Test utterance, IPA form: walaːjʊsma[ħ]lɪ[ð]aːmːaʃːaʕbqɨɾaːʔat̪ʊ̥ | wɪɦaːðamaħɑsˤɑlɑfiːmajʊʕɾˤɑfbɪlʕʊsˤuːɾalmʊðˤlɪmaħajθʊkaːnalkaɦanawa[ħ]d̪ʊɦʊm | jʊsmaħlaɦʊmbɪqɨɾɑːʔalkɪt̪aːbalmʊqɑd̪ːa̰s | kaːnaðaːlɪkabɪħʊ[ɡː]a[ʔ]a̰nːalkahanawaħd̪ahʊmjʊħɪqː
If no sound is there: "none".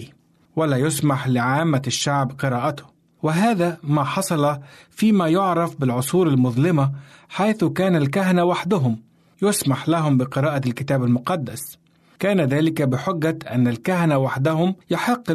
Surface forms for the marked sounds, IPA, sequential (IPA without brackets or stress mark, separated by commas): ħ, ʕ, ħ, ɡː, ʔ